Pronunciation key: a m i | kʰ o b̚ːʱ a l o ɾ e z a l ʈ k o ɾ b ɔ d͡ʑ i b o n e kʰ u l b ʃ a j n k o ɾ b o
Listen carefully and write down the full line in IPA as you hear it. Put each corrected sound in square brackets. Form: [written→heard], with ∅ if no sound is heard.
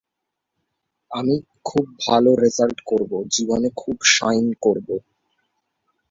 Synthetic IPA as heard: a m i | kʰ [o→u] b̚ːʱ a l o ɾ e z a l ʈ k o ɾ b [ɔ→o] d͡ʑ i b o n e kʰ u [l→∅] b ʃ a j n k o ɾ b o